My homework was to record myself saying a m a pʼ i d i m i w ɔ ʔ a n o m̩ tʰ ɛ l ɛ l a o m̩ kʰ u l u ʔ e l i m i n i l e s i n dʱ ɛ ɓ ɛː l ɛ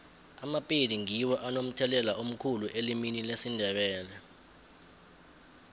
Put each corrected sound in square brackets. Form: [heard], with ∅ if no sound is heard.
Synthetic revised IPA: a m a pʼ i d i [ŋ] i w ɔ ʔ a n o m̩ tʰ ɛ l ɛ l a o m̩ kʰ u l u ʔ e l i m i n i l e s i n dʱ ɛ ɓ ɛː l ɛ